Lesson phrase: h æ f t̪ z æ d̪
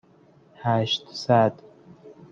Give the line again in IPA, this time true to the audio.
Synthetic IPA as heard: h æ ʃ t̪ s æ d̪

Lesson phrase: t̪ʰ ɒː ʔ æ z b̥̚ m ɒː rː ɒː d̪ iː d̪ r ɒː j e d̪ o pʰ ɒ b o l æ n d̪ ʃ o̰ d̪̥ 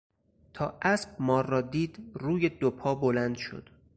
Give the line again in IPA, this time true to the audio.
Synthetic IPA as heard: t̪ʰ ɒː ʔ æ s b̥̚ m ɒː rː ɒː d̪ iː d̪ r uː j e d̪ o pʰ ɒː b o l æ n d̪ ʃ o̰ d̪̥

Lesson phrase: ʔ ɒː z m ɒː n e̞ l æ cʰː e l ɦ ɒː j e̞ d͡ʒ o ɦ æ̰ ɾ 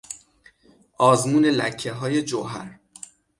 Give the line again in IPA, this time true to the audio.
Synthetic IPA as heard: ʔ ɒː z m uː n e̞ l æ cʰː e ɦ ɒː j e̞ d͡ʒ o ɦ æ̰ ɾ

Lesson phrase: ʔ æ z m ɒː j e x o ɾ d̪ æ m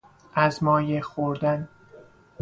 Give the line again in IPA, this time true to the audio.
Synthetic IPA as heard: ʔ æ z m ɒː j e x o ɾ d̪ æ n

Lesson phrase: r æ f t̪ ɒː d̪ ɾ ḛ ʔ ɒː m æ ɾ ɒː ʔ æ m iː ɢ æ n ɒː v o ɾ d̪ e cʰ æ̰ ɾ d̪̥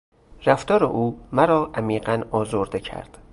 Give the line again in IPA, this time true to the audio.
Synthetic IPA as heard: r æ f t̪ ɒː ɾ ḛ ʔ uː m æ ɾ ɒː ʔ æ m iː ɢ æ n ɒː z o ɾ d̪ e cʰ æ̰ ɾ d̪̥

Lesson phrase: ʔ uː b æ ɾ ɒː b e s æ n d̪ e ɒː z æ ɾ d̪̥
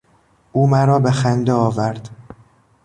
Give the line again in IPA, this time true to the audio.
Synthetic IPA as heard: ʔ uː m æ ɾ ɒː b e x æ n d̪ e ɒː v æ ɾ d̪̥

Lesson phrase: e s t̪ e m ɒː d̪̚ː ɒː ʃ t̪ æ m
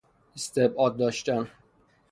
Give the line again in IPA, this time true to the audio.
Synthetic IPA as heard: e s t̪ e b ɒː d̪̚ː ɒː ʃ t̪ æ n

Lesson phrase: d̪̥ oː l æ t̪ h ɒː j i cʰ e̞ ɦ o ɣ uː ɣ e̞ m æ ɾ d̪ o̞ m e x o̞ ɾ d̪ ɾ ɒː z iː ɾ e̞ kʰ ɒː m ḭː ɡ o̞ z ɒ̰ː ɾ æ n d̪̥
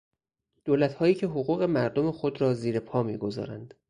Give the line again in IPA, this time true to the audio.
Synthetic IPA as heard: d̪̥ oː l æ t̪ h ɒː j iː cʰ e̞ ɦ o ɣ uː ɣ e̞ m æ ɾ d̪ o̞ m e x o̞ d̪ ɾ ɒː z iː ɾ e̞ pʰ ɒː m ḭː ɡ o̞ z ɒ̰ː ɾ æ n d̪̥

